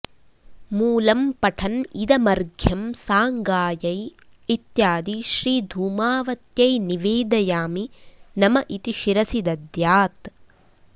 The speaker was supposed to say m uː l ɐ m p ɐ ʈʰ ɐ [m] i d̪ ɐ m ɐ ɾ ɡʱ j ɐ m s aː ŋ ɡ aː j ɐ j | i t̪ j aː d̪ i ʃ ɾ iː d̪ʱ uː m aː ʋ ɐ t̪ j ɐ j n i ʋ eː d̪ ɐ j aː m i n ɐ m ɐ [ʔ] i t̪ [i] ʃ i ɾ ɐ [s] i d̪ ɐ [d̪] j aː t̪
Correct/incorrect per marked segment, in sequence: incorrect: n, correct, correct, correct, correct

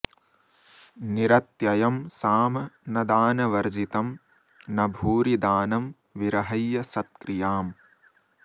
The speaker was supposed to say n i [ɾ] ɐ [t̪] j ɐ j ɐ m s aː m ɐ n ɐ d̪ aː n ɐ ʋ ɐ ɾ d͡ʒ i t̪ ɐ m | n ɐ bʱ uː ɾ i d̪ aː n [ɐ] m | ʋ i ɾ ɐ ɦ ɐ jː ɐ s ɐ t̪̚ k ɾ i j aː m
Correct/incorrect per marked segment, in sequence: correct, correct, correct

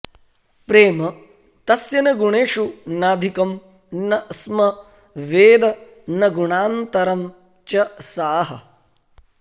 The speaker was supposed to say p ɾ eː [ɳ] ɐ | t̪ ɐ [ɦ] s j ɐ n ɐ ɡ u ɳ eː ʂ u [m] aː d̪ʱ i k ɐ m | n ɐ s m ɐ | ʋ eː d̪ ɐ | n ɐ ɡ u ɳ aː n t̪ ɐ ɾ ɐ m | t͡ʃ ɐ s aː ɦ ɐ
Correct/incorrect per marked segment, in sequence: incorrect: m, incorrect: none, incorrect: n

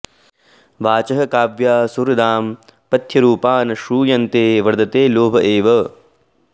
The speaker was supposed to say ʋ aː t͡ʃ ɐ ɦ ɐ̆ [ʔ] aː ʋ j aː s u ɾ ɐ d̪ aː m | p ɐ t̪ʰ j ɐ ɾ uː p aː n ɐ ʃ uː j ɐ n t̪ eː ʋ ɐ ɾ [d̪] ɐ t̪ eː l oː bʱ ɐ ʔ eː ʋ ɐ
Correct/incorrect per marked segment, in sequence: incorrect: k, correct

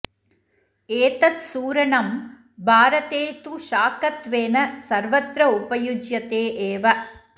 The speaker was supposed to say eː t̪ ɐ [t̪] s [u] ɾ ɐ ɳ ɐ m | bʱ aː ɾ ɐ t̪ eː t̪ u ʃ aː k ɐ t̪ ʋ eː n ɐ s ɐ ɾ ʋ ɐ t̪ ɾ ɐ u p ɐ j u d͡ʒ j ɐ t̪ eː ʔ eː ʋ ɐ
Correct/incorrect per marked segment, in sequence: correct, incorrect: uː

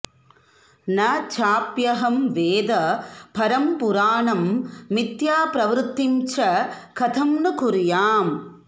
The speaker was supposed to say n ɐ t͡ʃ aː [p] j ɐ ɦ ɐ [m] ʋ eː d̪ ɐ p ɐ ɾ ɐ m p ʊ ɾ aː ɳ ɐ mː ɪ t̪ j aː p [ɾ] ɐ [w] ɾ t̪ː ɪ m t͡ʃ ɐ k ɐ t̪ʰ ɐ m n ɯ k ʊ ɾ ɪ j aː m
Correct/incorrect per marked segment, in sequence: correct, correct, correct, incorrect: ʋ

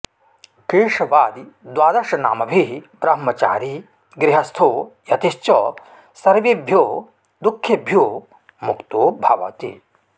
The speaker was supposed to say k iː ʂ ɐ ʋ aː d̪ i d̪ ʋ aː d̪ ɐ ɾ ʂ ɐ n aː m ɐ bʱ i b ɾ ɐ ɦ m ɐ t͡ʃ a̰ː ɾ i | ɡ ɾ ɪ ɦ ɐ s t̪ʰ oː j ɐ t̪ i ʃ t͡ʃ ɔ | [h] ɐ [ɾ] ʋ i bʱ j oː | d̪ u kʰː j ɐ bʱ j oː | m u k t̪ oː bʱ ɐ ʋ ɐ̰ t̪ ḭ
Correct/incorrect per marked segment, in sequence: incorrect: s, correct

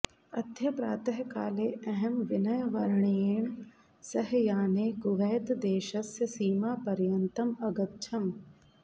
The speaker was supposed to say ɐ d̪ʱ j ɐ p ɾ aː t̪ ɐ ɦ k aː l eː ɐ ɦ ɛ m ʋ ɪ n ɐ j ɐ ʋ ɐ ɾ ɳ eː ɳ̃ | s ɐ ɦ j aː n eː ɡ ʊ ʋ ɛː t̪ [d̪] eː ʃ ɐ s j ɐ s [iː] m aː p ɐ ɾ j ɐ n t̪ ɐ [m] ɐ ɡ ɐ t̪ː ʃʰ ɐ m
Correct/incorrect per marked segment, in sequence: correct, correct, correct

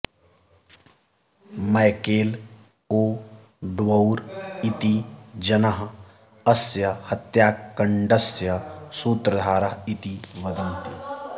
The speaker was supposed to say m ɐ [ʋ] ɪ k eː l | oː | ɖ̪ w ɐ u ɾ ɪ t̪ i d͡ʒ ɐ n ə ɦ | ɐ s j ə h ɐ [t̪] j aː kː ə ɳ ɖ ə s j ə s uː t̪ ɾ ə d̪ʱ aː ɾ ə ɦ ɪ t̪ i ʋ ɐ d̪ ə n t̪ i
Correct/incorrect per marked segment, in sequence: incorrect: none, correct

